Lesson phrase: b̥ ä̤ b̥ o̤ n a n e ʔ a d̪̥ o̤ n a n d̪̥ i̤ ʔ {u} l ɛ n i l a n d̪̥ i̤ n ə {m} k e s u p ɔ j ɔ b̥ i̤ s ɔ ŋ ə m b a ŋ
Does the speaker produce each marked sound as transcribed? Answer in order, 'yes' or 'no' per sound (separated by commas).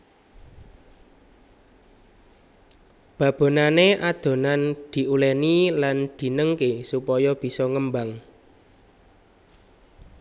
yes, no